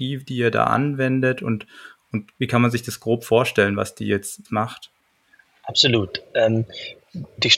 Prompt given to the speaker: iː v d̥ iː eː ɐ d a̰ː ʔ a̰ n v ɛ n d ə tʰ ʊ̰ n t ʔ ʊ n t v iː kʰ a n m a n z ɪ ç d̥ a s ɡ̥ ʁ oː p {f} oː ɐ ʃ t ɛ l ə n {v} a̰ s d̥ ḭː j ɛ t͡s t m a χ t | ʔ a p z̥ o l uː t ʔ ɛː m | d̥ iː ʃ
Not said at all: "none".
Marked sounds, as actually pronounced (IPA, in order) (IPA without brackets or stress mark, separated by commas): f, v